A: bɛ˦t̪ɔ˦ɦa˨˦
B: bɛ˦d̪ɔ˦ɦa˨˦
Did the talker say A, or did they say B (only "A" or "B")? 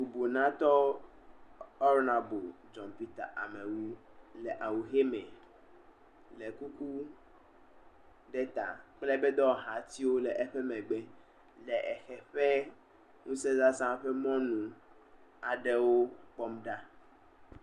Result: B